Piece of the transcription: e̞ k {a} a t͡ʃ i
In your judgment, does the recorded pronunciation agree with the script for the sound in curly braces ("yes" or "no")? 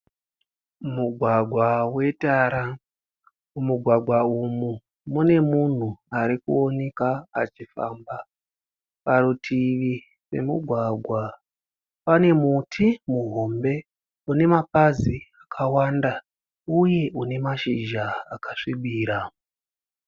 yes